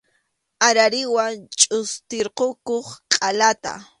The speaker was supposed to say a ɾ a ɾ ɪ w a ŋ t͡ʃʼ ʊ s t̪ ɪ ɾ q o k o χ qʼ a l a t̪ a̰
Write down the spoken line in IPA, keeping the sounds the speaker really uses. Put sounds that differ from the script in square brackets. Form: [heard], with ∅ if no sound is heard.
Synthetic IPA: a ɾ a ɾ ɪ w a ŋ t͡ʃʼ ʊ s t̪ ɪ ɾ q o k o χ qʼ a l a t̪ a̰